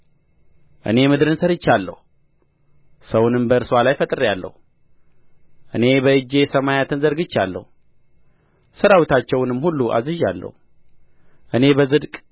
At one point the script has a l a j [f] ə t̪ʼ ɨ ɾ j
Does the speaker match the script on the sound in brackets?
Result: yes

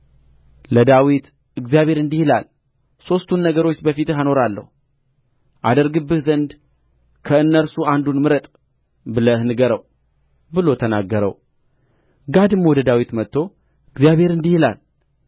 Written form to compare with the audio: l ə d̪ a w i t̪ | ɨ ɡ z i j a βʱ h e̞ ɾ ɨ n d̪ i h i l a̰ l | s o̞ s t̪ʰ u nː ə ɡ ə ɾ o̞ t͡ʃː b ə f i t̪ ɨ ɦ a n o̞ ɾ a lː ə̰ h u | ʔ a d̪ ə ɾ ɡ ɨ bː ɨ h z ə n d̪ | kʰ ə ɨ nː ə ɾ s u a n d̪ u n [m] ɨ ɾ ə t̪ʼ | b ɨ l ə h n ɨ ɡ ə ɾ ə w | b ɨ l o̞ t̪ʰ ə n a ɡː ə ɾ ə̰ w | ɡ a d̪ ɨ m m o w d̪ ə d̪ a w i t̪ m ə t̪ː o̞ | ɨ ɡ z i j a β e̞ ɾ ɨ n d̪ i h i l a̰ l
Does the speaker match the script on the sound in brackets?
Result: yes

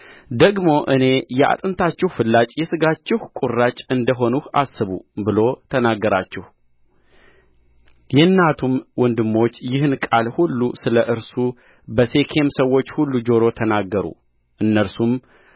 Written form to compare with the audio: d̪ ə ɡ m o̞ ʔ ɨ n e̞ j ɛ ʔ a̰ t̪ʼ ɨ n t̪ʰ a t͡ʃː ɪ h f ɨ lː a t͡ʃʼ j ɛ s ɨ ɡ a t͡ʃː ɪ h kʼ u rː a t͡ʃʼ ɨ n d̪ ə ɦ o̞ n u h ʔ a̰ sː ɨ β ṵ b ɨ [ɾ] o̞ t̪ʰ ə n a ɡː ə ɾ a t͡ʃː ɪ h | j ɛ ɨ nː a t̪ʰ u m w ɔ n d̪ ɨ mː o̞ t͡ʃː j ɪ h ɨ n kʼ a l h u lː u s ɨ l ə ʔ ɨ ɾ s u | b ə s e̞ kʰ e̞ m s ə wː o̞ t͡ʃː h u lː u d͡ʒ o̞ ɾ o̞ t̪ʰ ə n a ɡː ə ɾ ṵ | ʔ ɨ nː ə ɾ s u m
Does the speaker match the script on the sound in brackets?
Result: no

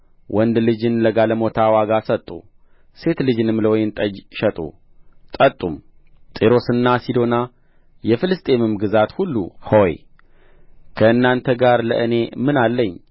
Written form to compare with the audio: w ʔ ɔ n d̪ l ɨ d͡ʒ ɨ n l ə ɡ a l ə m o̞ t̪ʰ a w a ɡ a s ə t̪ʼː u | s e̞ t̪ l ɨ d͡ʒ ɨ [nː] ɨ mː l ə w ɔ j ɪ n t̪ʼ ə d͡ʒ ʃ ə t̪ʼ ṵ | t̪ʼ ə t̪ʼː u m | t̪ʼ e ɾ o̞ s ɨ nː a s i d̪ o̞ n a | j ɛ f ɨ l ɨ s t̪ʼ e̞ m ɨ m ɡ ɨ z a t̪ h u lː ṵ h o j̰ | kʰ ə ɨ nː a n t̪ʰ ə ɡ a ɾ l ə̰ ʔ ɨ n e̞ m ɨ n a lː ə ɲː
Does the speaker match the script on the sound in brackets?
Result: no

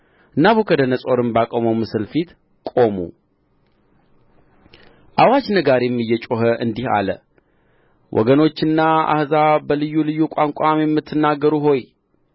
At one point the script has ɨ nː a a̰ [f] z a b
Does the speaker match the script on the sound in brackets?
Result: no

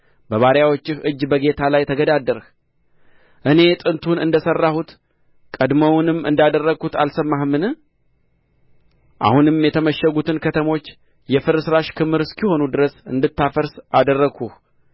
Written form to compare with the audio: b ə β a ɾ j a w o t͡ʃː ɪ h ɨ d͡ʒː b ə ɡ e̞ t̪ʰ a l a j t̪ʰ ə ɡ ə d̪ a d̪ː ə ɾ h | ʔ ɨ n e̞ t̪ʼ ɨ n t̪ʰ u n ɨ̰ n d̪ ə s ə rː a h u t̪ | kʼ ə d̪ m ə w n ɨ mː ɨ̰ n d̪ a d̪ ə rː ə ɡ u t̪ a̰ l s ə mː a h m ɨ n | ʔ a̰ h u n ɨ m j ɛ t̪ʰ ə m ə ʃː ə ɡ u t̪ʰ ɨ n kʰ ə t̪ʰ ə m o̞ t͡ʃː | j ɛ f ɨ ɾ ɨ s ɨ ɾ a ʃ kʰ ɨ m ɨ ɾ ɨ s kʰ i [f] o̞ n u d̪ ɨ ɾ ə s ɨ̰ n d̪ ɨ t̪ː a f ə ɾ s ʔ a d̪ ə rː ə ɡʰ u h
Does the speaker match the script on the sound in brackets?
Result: no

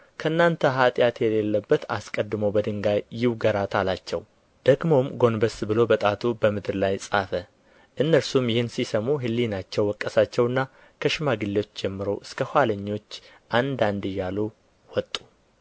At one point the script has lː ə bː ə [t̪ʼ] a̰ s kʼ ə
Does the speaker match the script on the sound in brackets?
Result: no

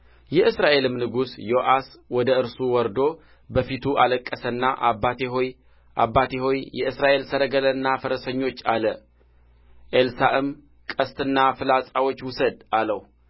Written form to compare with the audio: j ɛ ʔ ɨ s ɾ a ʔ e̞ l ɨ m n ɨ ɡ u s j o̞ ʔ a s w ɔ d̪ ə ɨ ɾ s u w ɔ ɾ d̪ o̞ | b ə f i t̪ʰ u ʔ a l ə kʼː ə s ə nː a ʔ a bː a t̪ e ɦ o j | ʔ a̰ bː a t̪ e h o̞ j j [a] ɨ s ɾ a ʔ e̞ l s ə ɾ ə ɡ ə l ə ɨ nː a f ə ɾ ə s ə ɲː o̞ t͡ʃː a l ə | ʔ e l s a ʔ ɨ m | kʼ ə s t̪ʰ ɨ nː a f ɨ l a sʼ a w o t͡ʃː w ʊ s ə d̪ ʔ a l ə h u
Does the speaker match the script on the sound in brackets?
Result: no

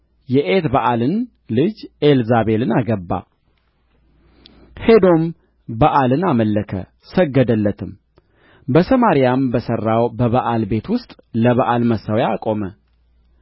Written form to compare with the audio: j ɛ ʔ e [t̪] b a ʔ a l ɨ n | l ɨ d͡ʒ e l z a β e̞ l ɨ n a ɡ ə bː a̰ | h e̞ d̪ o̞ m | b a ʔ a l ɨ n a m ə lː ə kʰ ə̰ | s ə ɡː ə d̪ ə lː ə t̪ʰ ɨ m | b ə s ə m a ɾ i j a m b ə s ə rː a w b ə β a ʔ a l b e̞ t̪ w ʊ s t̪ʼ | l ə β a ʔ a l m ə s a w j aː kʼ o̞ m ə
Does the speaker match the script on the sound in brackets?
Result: yes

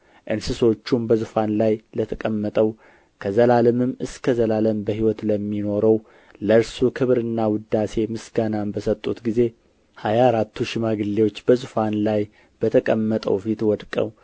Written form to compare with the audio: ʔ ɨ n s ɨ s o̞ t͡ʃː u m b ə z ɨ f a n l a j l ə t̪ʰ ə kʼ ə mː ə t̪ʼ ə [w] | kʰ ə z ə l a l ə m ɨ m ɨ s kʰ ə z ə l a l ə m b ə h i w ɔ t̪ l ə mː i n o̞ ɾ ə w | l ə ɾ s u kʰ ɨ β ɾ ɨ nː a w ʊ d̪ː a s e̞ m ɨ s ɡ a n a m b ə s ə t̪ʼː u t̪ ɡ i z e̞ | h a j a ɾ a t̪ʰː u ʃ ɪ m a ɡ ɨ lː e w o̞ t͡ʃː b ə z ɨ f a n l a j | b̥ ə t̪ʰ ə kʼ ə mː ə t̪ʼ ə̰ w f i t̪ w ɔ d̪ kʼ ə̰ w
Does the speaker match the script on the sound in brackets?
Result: yes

